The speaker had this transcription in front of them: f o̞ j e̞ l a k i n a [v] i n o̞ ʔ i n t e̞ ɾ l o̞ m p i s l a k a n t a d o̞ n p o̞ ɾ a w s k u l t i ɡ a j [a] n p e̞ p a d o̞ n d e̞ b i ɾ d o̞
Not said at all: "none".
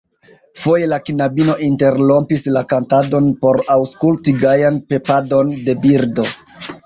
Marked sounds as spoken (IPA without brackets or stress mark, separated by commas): b, a